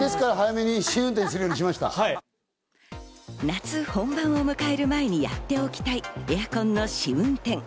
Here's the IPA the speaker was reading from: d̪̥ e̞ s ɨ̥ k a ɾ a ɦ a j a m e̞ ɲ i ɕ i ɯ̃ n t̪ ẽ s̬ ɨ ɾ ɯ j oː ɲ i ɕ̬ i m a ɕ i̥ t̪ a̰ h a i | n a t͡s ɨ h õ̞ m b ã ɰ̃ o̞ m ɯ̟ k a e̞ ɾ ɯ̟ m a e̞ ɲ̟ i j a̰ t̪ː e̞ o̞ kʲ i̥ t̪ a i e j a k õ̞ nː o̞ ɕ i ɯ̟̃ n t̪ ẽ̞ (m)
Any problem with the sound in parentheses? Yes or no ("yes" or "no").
yes